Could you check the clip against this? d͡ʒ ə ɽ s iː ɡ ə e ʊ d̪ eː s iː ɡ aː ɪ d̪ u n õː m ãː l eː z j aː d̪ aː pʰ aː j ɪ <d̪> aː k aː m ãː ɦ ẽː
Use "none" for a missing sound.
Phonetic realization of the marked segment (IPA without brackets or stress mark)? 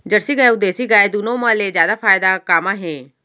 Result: d̪